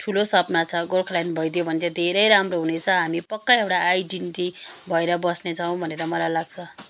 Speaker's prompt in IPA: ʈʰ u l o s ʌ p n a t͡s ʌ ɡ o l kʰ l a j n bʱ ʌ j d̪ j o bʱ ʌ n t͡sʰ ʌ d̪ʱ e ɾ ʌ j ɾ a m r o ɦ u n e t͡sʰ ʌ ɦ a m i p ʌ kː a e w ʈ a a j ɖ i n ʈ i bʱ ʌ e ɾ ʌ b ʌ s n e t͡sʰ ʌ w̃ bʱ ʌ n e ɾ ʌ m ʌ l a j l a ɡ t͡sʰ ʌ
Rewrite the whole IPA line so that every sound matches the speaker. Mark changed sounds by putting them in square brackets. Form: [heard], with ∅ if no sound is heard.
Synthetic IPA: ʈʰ u l o s ʌ p n a [t͡sʰ] ʌ ɡ o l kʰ l a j n bʱ ʌ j d̪ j o bʱ ʌ n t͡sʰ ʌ d̪ʱ e ɾ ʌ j ɾ a m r o ɦ u n e t͡sʰ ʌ ɦ a m i p ʌ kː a e w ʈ a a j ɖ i n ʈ i bʱ ʌ e ɾ ʌ b ʌ s n e t͡sʰ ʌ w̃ bʱ ʌ n e ɾ ʌ m ʌ l a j l a ɡ t͡sʰ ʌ